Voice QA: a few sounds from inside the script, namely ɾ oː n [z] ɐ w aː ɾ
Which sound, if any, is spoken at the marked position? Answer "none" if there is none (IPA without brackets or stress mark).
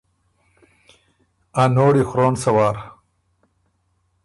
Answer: s